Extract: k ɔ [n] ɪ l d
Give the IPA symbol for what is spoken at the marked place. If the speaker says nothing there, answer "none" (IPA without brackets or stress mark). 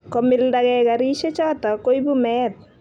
m